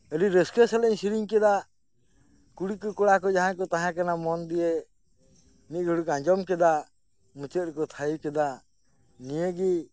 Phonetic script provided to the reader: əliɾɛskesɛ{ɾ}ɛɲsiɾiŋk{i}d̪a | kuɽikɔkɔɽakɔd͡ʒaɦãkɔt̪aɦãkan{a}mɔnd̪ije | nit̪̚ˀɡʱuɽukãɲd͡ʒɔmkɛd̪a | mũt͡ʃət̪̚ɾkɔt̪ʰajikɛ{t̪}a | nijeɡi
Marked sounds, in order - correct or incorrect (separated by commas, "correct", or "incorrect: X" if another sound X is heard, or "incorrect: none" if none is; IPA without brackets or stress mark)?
incorrect: l, incorrect: ɛ, correct, incorrect: d̪